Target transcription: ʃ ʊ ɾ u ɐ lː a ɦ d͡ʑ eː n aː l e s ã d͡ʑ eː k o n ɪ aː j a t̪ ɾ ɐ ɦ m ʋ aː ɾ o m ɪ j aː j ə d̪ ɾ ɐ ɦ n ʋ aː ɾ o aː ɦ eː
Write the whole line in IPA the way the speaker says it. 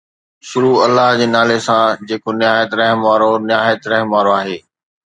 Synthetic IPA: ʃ ʊ ɾ u ɐ lː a ɦ d͡ʑ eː n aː l e s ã d͡ʑ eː k o n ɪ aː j ə t̪ ɾ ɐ ɦ m ʋ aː ɾ o n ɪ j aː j ə t̪ ɾ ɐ ɦ m ʋ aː ɾ o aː ɦ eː